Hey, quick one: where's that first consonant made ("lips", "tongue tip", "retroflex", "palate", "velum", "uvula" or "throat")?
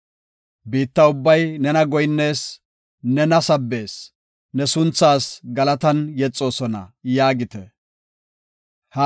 lips